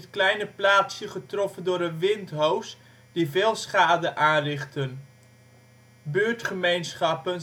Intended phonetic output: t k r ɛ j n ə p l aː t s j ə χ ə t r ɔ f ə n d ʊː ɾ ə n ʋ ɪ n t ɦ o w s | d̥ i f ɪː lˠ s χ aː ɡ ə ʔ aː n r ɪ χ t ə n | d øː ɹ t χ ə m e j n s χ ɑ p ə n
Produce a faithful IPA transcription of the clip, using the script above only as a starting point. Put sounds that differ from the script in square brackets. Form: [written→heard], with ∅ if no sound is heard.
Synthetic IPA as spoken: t k [r→l] ɛ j n ə p l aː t s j ə χ ə t r ɔ f ə n d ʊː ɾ ə n ʋ ɪ n t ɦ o w s | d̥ i [f→v] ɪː lˠ s χ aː [ɡ→d] ə ʔ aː n r ɪ χ t ə n | [d→b] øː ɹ t χ ə m e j n s χ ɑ p ə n

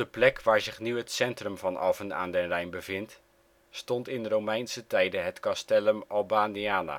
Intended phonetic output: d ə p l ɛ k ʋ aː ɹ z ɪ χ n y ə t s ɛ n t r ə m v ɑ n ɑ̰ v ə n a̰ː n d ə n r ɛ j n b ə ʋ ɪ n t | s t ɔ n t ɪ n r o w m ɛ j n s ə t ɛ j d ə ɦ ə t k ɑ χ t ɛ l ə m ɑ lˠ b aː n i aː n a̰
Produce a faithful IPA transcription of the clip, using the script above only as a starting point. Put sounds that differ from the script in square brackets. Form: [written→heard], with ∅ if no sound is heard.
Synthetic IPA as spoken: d ə p l ɛ k ʋ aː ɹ z ɪ χ n y ə t s ɛ n t r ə m v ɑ n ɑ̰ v ə n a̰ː n d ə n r ɛ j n b ə [ʋ→v] ɪ n t | s t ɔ n t ɪ n r o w m ɛ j n s ə t ɛ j d ə ɦ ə t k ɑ [χ→s] t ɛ l ə m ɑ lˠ b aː n i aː n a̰

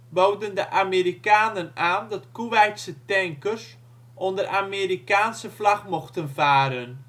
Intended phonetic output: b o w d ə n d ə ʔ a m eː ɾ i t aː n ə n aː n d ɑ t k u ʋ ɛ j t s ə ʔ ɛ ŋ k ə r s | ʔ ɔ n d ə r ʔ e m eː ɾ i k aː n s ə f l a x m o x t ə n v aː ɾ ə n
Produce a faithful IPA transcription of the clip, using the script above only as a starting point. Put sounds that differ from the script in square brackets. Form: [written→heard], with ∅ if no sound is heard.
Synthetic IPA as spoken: b o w d ə n d ə ʔ a m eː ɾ i [t→k] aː n ə n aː n d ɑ t k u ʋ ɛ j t s ə [ʔ→t] ɛ ŋ k ə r s | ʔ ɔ n d ə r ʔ [e→a] m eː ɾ i k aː n s ə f l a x m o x t ə n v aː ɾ ə n

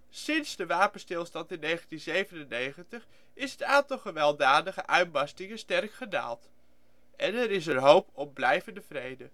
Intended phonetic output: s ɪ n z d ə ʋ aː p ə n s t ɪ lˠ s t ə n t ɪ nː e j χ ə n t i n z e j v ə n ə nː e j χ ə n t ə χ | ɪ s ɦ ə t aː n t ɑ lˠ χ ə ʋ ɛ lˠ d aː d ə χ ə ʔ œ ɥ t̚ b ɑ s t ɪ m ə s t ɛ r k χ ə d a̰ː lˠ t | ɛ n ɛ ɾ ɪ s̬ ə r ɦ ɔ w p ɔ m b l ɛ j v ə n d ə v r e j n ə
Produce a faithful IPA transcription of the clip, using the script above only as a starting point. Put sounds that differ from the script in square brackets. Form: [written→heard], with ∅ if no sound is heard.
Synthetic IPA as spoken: s ɪ n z d ə ʋ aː p ə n s t ɪ lˠ s t [ə→ɑ] n t ɪ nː e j χ ə n t i n z e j v ə n ə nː e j χ ə n t ə χ | ɪ s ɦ ə t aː n t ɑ lˠ χ ə ʋ ɛ lˠ d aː d ə χ ə ʔ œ ɥ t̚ b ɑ s t ɪ [m→ŋ] ə s t ɛ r k χ ə d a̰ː lˠ t | ɛ n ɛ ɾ ɪ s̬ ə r ɦ [ɔ→o] w p ɔ m b l ɛ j v ə n d ə v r e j [n→d] ə

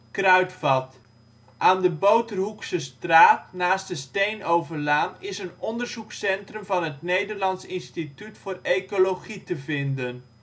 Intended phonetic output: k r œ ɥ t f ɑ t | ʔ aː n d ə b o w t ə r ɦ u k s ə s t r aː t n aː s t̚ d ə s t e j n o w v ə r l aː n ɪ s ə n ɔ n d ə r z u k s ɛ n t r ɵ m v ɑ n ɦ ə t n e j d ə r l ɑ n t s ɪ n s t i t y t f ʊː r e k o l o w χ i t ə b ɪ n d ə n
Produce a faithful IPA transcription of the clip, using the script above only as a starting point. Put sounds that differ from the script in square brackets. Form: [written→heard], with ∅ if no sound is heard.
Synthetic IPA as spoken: k r œ ɥ t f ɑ t | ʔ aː n d ə b o w t ə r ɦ u k s ə s t r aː t n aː s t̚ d ə s t e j n o w v ə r l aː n ɪ s ə n ɔ n d ə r z u k s ɛ n t r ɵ m v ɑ n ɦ ə t n e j d ə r l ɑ n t s ɪ n s t i t y t f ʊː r e k o l o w χ i t ə [b→v] ɪ n d ə n

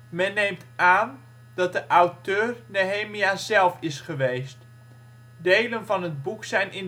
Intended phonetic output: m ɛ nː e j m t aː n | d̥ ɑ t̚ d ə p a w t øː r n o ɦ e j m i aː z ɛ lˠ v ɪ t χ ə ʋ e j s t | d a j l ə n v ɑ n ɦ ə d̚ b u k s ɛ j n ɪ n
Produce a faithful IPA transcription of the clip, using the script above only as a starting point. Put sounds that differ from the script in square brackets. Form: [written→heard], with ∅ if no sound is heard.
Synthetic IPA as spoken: m ɛ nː e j m t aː n | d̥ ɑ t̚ d ə [p→ʔ] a w t øː r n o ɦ e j m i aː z ɛ lˠ [v→f] ɪ [t→s] χ ə ʋ e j s t | d [a→e] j l ə n v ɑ n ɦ ə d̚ b u k s ɛ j n ɪ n

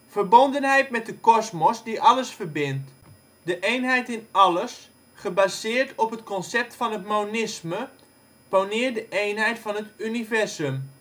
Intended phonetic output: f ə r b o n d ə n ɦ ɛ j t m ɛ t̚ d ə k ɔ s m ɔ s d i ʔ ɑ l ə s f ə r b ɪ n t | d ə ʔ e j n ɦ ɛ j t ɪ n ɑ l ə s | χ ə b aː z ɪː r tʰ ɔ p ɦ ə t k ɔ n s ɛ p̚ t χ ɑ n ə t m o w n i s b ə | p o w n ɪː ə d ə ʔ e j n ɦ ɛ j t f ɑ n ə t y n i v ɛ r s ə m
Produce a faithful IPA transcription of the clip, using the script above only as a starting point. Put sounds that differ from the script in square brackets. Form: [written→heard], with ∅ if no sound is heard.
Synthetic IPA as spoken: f ə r b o n d ə n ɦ ɛ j t m ɛ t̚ d ə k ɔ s m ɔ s d i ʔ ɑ l ə s f ə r b ɪ n t | d ə ʔ e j n ɦ ɛ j t ɪ n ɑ l ə s | χ ə b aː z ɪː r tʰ ɔ p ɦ ə t k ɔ n s ɛ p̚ t [χ→f] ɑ n ə t m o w n [i→ɪ] s [b→m] ə | p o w n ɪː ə d ə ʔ e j n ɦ ɛ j t f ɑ n ə t y n i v ɛ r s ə m

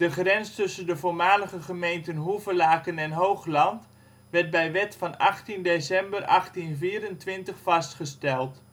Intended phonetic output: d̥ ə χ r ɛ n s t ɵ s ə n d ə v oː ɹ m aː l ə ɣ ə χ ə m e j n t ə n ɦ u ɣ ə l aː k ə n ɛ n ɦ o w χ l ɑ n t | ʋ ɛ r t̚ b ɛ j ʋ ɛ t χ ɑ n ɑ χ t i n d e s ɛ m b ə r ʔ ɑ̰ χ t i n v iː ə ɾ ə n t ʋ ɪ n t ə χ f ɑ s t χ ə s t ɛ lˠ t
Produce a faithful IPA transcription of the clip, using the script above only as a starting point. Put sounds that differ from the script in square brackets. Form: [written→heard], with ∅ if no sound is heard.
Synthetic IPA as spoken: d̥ ə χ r ɛ n s t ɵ s ə n d ə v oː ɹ m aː l ə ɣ ə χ ə m e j n t ə n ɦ u [ɣ→v] ə l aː k ə n ɛ n ɦ o w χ l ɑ n t | ʋ ɛ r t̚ b ɛ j ʋ ɛ t [χ→f] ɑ n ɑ χ t i n d e s ɛ m b ə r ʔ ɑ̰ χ t i n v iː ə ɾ ə n t ʋ ɪ n t ə χ f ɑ s t χ ə s t ɛ lˠ t

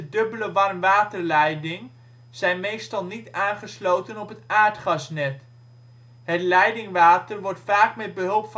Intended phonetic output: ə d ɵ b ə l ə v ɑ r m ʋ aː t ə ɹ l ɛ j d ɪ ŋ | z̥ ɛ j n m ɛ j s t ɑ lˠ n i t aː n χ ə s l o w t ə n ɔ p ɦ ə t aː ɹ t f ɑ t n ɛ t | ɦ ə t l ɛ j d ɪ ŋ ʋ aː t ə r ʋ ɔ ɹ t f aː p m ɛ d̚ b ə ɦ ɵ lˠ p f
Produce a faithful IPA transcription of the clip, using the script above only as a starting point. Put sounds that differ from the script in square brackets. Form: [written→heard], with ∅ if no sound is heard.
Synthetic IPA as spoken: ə d ɵ b ə l ə [v→ʋ] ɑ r m ʋ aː t ə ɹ l ɛ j d ɪ ŋ | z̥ ɛ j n m [ɛ→e] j s t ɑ lˠ n i t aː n χ ə s l o w t ə n ɔ p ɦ ə t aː ɹ t [f→χ] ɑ [t→s] n ɛ t | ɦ ə t l ɛ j d ɪ ŋ ʋ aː t ə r ʋ ɔ ɹ t f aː [p→k] m ɛ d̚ b ə ɦ ɵ lˠ p f

